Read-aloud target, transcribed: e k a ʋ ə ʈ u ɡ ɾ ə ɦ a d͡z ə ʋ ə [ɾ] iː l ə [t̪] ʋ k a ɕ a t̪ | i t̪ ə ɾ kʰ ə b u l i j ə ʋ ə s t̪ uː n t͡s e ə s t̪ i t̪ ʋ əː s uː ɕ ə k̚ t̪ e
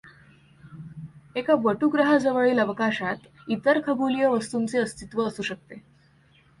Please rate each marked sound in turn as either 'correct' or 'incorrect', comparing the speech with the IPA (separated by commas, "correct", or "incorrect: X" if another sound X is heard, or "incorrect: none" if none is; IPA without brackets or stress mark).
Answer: incorrect: ɭ, incorrect: none